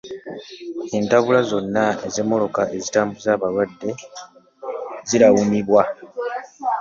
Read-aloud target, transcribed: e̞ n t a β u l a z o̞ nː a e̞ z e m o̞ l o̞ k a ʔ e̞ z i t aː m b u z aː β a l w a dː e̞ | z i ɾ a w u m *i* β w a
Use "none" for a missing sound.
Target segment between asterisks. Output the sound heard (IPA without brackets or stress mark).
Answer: i